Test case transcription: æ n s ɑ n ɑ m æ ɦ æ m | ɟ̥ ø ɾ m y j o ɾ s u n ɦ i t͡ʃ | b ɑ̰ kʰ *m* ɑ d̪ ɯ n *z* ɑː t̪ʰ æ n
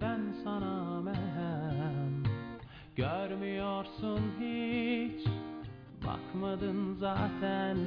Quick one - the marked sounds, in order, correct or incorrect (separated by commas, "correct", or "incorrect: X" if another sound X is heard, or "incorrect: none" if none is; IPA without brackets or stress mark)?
correct, correct